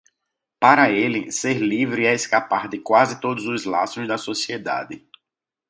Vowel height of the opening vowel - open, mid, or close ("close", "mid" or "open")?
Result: open